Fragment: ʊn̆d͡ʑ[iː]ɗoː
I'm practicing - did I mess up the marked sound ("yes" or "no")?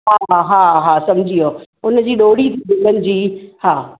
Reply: no